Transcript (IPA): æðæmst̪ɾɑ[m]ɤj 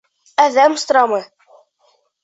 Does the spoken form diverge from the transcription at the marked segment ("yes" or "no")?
no